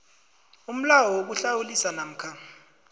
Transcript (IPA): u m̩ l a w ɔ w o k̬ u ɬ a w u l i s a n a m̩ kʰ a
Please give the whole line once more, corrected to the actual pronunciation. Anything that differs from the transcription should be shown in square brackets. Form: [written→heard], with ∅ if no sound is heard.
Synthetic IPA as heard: u m̩ l a w ɔ w o k̬ u ɬ a w u l i s a n a m̩ kʰ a